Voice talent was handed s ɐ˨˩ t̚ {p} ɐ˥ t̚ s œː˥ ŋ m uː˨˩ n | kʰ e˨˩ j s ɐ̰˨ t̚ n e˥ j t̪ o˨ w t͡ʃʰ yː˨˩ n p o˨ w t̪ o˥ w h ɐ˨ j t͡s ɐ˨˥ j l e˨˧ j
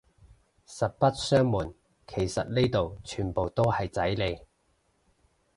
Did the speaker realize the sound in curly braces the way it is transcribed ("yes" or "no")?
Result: yes